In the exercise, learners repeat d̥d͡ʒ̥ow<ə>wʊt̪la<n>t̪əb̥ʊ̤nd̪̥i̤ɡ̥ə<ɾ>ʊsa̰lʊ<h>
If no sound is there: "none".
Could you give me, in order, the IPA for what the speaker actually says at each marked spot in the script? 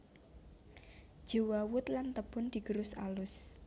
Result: a, n, ɾ, s

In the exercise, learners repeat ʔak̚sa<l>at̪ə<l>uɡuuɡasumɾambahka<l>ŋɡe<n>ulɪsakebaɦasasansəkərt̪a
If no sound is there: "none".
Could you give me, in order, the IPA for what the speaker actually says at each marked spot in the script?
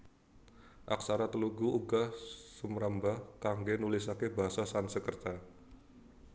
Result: ɾ, l, none, n

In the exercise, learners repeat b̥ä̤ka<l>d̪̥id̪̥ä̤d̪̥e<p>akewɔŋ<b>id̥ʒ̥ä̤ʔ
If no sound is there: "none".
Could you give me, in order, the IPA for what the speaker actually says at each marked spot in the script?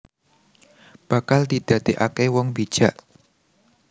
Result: l, ʔ, b

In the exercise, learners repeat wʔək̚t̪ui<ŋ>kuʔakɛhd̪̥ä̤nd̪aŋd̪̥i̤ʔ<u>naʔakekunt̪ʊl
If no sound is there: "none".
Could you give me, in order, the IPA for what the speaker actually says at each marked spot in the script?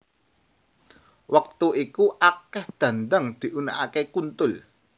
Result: none, u

